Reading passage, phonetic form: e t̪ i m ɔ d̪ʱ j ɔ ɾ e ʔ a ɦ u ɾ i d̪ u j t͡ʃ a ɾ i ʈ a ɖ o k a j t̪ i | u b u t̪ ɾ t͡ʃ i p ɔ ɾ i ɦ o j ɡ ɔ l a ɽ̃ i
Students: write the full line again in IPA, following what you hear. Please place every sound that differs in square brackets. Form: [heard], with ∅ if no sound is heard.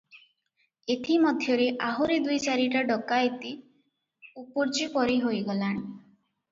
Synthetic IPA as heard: e [t̪ʰ] i m ɔ d̪ʱ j ɔ ɾ e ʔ a ɦ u ɾ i d̪ u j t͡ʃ a ɾ i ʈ a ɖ [ɔ] k a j t̪ i | u [p] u [∅] ɾ t͡ʃ i p ɔ ɾ i ɦ o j ɡ ɔ l a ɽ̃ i